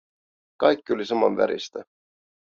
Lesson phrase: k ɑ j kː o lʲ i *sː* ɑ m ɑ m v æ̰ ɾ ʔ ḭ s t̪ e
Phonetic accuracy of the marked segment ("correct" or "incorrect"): incorrect